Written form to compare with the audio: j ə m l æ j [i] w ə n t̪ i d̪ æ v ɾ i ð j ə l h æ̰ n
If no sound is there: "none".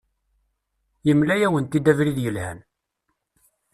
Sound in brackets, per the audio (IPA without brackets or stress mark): æ